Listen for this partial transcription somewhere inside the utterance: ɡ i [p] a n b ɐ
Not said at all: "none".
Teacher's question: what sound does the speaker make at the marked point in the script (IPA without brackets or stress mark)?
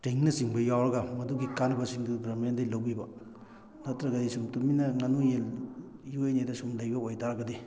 k